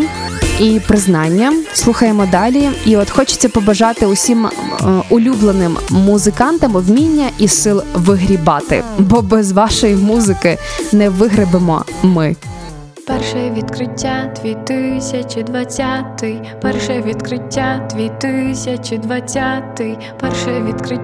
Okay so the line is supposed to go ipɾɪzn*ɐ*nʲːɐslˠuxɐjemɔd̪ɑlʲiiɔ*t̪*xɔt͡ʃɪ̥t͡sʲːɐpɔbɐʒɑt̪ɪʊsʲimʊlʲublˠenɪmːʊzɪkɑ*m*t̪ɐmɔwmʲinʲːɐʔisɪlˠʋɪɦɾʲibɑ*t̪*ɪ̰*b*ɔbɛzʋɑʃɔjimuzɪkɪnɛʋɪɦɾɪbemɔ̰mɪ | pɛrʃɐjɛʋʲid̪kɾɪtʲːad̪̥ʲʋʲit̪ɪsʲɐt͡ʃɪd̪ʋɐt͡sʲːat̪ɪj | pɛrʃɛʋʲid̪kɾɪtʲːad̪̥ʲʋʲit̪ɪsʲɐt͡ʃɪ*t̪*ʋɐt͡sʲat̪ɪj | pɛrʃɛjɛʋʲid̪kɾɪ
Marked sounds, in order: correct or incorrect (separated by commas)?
incorrect, correct, incorrect, correct, correct, incorrect